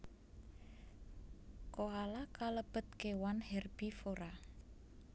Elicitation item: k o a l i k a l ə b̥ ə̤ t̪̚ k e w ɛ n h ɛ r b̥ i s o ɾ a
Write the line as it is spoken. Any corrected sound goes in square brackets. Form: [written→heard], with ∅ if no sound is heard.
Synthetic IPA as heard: k o a l [i→a] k a l ə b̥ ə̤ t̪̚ k e w [ɛ→a] n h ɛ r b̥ i [s→f] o ɾ a